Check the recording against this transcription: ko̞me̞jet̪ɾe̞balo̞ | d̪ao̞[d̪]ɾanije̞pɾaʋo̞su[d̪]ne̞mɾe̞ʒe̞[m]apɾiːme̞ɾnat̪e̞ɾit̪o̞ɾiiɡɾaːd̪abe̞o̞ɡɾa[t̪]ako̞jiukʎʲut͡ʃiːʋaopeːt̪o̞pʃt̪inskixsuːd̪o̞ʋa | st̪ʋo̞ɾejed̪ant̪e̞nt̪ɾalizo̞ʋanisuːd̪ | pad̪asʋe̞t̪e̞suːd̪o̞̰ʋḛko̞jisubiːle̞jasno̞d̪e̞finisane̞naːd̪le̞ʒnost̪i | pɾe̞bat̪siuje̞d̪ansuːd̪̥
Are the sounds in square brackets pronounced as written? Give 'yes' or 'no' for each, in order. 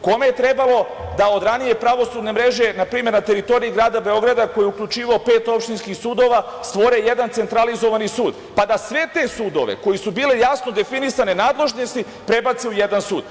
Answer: yes, yes, no, no

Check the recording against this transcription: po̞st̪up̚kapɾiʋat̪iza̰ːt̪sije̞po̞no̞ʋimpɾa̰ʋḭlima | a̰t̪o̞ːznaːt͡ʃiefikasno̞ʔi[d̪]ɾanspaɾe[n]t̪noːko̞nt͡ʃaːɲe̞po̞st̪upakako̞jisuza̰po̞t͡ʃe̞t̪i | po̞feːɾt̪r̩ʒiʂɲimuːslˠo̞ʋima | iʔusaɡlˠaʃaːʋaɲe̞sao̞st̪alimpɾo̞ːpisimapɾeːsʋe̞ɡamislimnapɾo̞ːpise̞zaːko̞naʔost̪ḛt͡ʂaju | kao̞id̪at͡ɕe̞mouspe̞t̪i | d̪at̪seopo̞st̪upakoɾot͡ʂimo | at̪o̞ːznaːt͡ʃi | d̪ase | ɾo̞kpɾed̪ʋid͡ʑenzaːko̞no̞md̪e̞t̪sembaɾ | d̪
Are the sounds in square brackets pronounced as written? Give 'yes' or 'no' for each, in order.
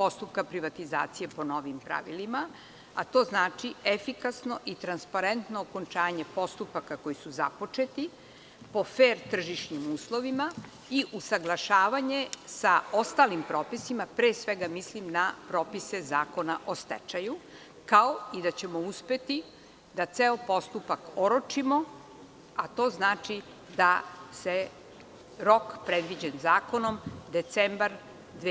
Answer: no, yes

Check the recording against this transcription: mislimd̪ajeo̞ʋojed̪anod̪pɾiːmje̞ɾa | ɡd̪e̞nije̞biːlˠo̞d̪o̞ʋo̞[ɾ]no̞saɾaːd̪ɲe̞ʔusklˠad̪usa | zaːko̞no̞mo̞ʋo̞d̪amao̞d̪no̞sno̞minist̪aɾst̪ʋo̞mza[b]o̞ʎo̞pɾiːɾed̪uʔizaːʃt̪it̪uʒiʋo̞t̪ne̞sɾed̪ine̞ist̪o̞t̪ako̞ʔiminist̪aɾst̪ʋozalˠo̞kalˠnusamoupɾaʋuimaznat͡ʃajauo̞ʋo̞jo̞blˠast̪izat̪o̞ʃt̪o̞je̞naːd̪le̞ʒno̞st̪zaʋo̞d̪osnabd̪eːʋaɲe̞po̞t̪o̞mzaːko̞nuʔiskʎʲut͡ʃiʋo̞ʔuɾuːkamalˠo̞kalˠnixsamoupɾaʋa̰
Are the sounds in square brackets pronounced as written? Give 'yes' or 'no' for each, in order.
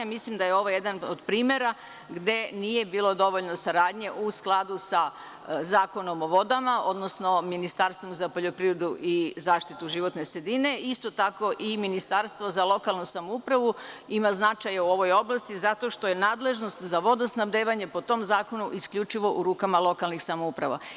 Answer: no, no

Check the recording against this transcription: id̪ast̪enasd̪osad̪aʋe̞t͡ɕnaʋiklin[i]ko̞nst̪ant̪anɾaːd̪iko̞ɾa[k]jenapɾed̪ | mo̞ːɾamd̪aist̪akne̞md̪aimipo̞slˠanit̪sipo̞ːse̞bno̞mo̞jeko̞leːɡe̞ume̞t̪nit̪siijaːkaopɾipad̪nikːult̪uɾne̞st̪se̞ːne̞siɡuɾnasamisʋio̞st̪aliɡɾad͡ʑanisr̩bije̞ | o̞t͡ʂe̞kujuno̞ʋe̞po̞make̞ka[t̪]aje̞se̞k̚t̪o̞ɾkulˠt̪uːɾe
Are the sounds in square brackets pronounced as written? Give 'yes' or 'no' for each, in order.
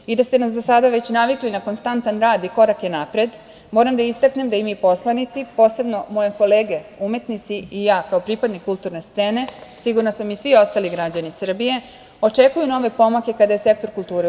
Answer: no, yes, no

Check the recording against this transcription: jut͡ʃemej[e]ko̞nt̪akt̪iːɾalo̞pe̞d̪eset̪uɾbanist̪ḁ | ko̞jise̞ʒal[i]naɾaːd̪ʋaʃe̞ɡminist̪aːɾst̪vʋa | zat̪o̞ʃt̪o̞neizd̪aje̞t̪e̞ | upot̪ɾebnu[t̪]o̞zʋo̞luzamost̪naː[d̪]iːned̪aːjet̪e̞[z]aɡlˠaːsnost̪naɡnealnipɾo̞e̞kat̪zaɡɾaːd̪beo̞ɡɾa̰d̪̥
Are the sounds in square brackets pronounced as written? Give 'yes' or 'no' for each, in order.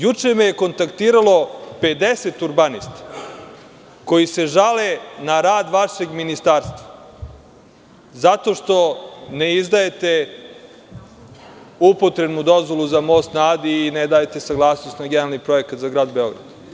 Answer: yes, no, no, yes, no

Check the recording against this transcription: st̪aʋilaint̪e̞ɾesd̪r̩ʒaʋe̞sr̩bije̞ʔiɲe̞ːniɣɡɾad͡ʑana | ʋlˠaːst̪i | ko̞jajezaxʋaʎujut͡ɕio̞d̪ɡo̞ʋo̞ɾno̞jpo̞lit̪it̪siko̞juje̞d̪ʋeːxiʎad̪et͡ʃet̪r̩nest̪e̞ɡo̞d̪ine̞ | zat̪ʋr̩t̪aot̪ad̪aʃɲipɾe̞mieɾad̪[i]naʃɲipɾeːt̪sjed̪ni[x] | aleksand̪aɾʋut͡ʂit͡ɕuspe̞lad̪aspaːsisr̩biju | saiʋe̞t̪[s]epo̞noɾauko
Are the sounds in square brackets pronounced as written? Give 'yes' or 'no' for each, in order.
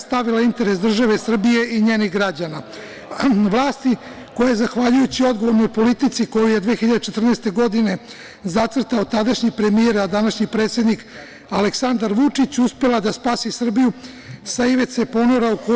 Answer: no, no, yes

